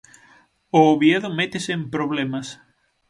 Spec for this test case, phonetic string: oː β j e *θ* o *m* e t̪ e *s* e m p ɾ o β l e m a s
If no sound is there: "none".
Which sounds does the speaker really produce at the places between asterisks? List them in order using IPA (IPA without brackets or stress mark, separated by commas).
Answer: ð, m, s